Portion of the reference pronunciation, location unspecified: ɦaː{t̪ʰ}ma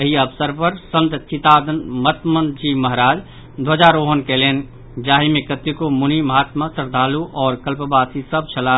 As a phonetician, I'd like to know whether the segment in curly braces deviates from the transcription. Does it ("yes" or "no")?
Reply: yes